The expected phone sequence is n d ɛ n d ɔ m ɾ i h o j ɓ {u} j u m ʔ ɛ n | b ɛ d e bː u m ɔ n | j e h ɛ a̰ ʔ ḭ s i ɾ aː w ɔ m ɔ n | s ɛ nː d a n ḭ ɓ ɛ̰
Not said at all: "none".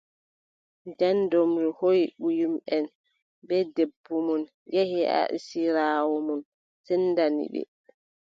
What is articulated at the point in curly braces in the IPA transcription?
u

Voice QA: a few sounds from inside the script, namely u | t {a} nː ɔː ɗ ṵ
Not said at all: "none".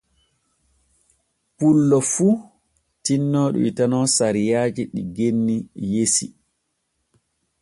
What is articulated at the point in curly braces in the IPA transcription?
i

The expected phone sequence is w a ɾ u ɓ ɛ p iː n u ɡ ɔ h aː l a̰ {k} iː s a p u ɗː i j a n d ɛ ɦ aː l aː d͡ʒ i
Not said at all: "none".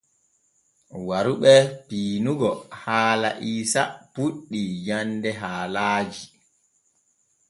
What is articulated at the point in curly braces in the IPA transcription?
ʔ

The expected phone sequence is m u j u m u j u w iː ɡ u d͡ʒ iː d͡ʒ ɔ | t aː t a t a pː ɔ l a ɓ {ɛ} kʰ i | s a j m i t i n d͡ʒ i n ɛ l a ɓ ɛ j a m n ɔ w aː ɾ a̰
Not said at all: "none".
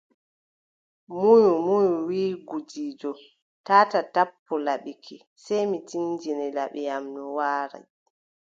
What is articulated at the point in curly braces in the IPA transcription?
i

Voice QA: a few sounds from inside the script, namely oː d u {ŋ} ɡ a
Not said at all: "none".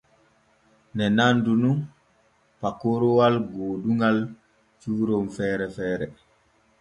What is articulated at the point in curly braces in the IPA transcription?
ŋ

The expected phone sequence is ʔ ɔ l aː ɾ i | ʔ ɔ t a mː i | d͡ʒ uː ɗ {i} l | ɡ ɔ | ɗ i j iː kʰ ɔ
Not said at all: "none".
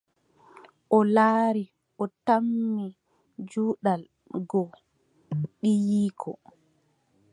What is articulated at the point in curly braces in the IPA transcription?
a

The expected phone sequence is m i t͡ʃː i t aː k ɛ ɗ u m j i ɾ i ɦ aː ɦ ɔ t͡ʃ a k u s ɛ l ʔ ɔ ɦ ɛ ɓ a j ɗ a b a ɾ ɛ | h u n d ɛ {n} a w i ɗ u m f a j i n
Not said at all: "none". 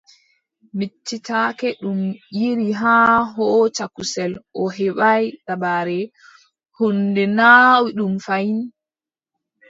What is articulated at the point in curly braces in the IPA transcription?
n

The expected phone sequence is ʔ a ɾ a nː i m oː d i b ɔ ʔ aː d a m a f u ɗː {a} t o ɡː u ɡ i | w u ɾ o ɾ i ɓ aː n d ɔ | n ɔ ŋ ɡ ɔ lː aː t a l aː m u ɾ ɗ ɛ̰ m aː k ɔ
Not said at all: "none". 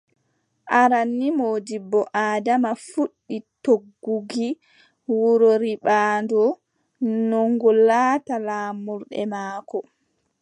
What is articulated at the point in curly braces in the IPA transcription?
i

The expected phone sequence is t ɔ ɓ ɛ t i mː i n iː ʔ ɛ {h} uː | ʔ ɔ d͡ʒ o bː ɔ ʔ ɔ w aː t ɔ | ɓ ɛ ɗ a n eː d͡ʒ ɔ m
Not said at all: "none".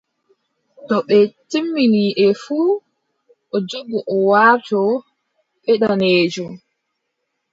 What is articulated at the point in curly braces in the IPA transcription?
f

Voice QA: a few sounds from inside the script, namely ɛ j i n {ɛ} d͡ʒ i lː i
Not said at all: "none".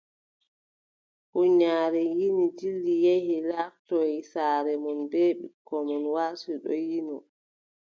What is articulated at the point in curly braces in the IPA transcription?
i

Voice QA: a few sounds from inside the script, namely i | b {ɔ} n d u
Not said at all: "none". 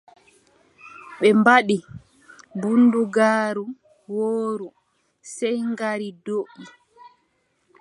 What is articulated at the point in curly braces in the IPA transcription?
u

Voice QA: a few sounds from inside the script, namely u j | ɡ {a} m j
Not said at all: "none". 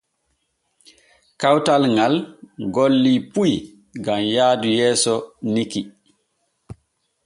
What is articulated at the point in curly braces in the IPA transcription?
a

